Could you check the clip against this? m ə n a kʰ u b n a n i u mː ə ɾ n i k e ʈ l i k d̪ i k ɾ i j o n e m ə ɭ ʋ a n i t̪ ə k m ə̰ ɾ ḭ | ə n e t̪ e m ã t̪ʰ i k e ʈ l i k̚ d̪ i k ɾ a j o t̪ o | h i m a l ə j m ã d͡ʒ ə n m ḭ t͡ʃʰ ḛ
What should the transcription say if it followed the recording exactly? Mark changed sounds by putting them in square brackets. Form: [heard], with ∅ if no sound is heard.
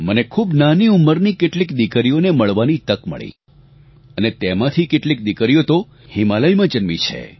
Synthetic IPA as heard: m ə n [e] kʰ u b n a n i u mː ə ɾ n i k e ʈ l i k d̪ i k ɾ i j o n e m ə ɭ ʋ a n i t̪ ə k m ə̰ [ɭ] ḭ | ə n e t̪ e m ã t̪ʰ i k e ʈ l i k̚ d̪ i k ɾ [i] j o t̪ o | h i m a l ə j m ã d͡ʒ ə n m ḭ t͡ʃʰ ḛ